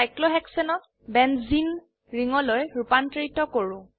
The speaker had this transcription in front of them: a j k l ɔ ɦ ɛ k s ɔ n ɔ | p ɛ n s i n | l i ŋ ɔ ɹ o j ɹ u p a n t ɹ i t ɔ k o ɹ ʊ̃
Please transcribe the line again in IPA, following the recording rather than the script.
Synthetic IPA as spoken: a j k l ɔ ɦ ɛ k s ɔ n ɔ | b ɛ n z i n | ɹ i ŋ ɔ l o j ɹ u p a n t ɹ i t ɔ k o ɹ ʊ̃